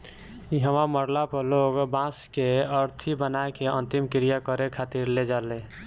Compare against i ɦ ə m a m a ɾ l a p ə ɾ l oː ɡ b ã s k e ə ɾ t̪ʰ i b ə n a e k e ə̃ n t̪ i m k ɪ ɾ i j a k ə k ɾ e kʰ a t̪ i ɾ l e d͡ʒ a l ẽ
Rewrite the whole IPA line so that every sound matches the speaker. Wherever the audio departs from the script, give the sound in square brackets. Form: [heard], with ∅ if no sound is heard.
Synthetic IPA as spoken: i ɦ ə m a m [ə] ɾ l a p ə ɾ l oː ɡ b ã s k e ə ɾ t̪ʰ i b ə n a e k e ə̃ n t̪ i m k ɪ ɾ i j a k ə [∅] ɾ e kʰ a t̪ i ɾ l e d͡ʒ a l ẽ